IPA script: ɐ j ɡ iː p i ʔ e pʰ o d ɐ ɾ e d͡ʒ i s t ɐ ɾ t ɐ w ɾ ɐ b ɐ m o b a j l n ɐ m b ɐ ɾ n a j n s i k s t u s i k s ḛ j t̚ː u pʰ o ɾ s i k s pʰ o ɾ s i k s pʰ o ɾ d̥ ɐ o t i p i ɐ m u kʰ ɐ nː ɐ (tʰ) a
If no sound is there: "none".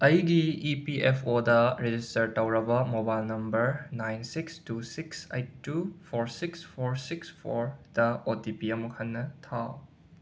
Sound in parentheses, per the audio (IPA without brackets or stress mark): tʰ